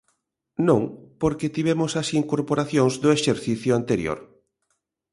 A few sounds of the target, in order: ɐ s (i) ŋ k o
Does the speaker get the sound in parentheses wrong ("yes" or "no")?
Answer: no